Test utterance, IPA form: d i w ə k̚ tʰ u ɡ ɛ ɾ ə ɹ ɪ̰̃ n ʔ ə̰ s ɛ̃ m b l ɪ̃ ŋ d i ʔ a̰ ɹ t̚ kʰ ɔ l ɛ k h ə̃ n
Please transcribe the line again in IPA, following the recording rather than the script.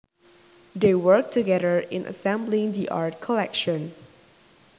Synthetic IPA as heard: d e w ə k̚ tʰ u ɡ ɛ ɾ ə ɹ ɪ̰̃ n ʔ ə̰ s ɛ̃ m b l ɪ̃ ŋ d i ʔ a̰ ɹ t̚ kʰ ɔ l ɛ k ʃ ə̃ n

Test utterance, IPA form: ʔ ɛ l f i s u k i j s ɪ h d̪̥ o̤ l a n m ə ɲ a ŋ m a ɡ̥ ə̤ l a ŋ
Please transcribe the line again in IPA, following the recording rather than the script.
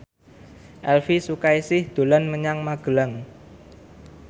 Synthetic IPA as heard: ʔ ɛ l f i s u k a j s ɪ h d̪̥ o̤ l a n m ə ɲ a ŋ m a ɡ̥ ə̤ l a ŋ

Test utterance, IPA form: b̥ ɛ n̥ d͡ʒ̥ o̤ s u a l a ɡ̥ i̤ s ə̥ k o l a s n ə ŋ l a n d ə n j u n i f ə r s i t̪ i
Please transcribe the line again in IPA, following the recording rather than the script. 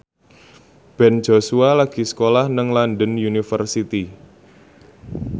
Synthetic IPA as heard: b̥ ɛ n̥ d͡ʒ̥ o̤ s u a l a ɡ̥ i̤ s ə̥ k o l a h n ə ŋ l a n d ə n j u n i f ə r s i t̪ i

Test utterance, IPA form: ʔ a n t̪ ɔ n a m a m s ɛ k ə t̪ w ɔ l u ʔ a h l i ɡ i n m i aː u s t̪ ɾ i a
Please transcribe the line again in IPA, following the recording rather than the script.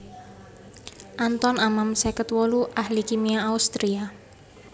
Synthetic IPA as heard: ʔ a n t̪ ɔ n a m a m s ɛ k ə t̪ w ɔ l u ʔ a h l i k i m i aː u s t̪ ɾ i a

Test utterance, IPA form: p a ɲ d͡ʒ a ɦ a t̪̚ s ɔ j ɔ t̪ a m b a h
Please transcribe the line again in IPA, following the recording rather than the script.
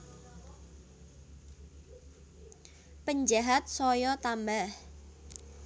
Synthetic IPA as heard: p ə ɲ d͡ʒ a ɦ a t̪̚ s ɔ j ɔ t̪ a m b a h

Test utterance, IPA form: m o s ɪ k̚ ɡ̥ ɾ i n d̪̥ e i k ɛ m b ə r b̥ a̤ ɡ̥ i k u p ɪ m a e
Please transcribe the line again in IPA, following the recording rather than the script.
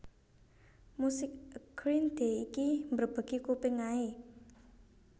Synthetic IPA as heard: m u s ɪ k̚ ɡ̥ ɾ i n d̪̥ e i k i m b ə r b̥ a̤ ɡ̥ i k u p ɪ ŋ a e

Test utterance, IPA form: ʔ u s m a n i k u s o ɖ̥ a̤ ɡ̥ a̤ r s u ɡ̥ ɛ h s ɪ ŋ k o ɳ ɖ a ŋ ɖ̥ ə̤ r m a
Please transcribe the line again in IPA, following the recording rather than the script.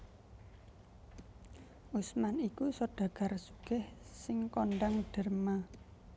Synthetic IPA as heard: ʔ u s m a n i k u s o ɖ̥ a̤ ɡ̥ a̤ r s u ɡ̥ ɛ h s ɪ ŋ k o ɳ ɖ a ŋ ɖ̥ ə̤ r m a

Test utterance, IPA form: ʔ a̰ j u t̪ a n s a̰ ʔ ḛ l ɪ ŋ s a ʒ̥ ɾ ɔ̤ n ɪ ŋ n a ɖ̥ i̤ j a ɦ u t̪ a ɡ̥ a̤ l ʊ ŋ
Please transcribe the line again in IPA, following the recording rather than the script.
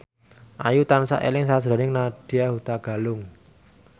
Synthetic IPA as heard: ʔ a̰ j u t̪ a n s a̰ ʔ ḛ l ɪ ŋ s a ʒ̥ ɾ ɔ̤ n ɪ ŋ n a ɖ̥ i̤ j a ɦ u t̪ a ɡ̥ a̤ l ʊ ŋ

